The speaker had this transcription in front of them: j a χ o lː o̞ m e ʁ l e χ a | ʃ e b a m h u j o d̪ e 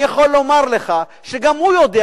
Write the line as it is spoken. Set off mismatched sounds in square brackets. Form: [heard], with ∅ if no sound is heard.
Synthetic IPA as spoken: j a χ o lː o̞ m [a] ʁ l e χ a | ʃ e [ɡ] a m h u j o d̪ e